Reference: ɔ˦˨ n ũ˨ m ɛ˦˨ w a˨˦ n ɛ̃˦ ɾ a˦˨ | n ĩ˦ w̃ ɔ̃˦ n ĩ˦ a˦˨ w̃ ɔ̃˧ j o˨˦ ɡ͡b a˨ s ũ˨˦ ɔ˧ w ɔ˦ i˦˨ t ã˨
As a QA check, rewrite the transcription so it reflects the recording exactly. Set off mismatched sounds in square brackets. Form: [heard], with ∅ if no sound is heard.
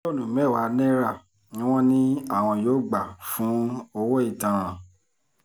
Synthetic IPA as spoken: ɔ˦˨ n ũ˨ m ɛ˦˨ w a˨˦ n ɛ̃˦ ɾ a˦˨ | n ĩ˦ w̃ ɔ̃˦ n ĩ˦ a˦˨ w̃ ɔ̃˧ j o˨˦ ɡ͡b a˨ [f] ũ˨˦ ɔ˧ w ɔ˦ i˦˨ t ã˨